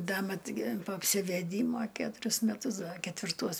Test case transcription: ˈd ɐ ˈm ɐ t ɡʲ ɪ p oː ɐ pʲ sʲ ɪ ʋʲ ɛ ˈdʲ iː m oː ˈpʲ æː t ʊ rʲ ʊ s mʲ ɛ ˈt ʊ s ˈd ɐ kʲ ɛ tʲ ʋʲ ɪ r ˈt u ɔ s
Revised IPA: ˈd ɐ ˈm ɐ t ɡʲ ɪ p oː ɐ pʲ sʲ ɪ ʋʲ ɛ ˈdʲ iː m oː ˈkʲ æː t ʊ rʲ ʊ s mʲ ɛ ˈt ʊ s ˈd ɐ kʲ ɛ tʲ ʋʲ ɪ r ˈt u ɔ s